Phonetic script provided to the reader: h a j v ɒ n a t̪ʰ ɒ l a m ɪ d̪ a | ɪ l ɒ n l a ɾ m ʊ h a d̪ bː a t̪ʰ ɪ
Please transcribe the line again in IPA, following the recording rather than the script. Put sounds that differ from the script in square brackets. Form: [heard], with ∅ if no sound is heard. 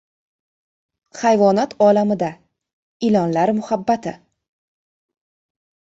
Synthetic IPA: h a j v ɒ n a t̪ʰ ɒ l a m ɪ d̪ a | ɪ l ɒ n l a ɾ m ʊ h a [∅] bː a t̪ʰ ɪ